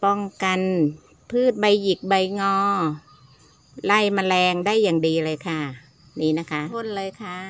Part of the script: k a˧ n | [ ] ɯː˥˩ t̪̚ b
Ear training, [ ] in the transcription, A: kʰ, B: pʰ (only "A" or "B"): B